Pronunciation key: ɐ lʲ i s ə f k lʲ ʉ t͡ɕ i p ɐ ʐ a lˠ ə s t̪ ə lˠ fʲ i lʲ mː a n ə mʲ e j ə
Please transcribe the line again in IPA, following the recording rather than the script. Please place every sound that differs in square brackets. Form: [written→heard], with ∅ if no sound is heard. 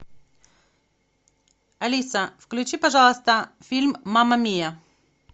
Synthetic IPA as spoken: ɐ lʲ i s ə f k lʲ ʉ t͡ɕ i p ɐ ʐ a lˠ ə s t̪ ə [lˠ→∅] fʲ i lʲ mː a [n→m] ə mʲ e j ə